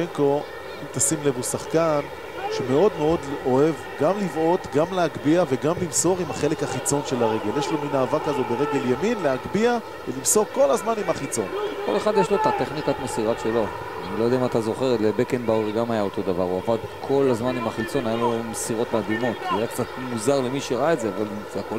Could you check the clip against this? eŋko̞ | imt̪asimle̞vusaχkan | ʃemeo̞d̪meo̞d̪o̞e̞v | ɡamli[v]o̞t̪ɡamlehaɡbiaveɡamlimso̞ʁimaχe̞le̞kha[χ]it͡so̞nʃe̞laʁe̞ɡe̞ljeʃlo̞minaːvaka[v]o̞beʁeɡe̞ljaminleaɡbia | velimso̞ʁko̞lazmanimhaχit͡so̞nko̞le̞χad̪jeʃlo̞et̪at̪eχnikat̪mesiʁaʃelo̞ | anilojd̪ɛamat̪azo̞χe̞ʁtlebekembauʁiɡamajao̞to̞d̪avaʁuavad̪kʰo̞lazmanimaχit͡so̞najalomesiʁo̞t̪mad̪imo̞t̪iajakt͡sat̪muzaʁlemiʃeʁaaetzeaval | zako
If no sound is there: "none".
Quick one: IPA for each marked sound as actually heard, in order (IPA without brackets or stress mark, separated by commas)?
v, χ, z